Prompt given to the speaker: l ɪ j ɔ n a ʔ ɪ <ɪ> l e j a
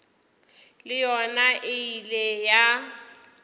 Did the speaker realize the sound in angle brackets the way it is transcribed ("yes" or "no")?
no